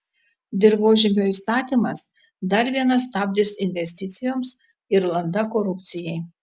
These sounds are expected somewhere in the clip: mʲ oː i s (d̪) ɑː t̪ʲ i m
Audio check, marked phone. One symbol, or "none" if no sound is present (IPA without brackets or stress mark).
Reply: t̪